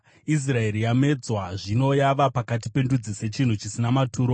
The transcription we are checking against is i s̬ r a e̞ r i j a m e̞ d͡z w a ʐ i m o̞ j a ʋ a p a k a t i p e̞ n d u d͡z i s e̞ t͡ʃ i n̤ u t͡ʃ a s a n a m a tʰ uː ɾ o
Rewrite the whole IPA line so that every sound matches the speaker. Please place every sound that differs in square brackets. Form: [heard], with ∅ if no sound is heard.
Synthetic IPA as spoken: i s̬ r a e̞ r i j a m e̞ d͡z w a ʐ i [n] o̞ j a ʋ a p a k a t i p e̞ n d u d͡z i s e̞ t͡ʃ i n̤ u t͡ʃ [i] s [i] n a m a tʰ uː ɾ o